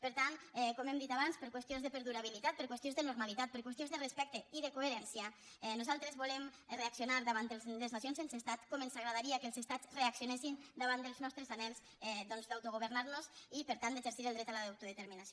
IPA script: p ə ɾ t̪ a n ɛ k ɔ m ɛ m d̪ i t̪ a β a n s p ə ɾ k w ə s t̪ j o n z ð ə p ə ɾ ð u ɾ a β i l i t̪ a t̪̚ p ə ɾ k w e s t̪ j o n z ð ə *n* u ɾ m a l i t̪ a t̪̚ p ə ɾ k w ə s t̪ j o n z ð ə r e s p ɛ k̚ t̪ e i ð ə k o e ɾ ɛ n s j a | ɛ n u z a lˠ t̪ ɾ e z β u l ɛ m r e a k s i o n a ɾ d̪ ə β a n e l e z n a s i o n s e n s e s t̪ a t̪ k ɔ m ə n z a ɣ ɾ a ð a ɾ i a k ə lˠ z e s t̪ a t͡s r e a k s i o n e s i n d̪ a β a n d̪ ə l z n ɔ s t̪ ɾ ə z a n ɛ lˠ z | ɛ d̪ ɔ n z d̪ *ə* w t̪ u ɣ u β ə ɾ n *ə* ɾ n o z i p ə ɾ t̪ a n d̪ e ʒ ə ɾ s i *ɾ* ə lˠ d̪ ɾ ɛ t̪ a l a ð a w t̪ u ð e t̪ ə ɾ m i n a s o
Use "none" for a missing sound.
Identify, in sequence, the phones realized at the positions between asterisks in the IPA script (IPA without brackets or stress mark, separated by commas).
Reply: n, a, a, ɾ